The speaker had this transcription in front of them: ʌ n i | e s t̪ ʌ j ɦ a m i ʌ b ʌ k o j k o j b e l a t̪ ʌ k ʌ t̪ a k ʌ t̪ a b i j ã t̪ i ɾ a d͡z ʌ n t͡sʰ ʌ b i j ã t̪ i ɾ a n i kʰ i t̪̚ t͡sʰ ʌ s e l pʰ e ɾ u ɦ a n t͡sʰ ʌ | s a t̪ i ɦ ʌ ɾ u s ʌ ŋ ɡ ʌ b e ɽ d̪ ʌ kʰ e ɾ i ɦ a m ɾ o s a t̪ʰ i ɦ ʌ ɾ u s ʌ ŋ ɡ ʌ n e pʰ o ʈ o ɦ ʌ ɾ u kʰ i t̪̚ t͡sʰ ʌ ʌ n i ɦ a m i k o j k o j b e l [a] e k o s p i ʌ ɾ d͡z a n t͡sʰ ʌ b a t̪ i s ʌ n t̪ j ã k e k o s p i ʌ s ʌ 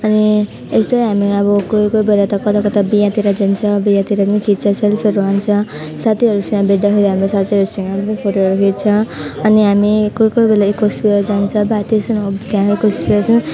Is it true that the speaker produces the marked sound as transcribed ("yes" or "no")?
yes